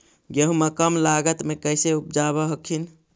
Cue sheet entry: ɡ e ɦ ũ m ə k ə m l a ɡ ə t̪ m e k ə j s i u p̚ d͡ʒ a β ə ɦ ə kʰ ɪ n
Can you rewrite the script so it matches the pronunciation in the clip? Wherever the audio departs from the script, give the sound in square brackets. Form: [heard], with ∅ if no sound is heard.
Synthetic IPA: ɡ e ɦ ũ m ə k ə m l a ɡ ə t̪ m e k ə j s [e] u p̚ d͡ʒ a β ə ɦ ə kʰ [i] n